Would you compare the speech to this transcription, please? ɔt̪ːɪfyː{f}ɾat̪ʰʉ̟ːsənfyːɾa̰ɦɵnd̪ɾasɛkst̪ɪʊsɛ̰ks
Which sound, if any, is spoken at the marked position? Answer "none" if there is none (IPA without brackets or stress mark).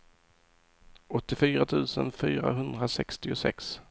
none